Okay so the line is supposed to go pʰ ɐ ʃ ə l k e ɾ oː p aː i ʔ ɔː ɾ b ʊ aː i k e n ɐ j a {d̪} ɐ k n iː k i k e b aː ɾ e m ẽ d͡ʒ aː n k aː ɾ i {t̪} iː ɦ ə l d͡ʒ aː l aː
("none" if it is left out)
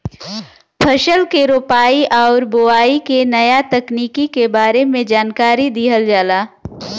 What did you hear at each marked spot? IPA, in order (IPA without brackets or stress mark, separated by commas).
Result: t̪, d̪